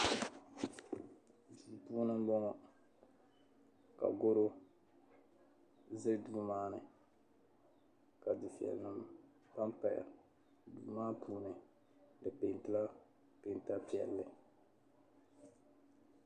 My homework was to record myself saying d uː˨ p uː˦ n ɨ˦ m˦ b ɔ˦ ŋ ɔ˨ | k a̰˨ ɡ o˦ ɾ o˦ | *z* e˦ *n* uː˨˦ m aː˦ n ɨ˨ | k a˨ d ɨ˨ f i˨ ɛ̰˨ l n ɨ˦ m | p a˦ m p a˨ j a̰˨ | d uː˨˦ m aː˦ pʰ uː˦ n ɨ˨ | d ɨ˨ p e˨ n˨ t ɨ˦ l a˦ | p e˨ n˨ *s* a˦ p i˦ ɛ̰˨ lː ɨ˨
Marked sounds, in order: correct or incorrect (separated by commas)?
correct, incorrect, incorrect